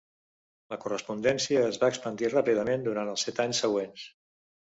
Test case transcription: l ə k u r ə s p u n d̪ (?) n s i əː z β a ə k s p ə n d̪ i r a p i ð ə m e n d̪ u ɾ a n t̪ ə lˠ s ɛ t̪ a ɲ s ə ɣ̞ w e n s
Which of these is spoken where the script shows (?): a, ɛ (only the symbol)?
ɛ